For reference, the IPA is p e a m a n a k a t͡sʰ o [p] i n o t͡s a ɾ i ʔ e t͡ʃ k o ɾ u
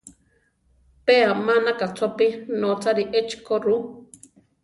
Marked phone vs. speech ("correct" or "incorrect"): correct